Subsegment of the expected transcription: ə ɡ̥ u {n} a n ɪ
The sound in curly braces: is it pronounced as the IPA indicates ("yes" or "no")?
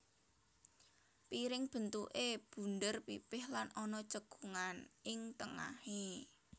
no